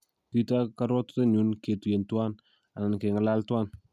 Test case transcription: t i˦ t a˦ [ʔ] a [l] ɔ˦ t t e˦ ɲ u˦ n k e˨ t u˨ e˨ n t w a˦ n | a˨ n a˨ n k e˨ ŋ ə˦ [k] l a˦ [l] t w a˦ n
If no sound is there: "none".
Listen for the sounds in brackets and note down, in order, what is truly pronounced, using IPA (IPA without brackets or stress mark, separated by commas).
k, ɾ, none, l